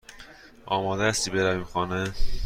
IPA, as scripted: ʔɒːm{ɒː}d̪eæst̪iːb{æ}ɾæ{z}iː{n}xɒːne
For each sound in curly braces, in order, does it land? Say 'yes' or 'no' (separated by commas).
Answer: yes, no, no, no